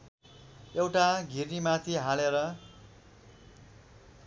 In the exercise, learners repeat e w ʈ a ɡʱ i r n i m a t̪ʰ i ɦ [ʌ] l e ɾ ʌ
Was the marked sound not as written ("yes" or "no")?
yes